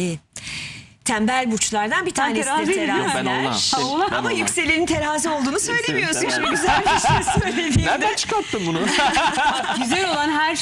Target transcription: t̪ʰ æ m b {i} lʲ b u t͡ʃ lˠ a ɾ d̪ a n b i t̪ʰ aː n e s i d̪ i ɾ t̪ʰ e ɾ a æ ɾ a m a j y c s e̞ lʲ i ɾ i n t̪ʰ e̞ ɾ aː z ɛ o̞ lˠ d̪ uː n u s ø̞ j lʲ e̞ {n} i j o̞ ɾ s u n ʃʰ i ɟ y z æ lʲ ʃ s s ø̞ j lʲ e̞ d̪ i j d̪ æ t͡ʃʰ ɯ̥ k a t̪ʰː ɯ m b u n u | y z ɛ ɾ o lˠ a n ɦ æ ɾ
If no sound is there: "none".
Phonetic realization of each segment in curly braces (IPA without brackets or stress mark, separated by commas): æ, m